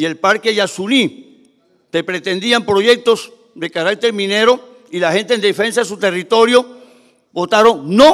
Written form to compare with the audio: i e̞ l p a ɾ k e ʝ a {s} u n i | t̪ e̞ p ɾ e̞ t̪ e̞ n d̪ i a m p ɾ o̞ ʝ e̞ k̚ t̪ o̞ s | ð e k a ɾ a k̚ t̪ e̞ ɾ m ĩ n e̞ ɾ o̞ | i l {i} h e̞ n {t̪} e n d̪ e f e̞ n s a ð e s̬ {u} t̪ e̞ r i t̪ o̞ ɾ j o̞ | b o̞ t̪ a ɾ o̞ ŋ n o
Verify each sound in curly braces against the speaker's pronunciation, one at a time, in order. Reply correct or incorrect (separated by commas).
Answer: correct, incorrect, correct, correct